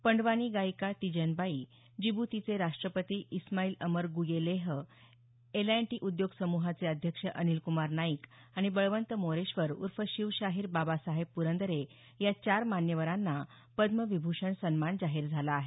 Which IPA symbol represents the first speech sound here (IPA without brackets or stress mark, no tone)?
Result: p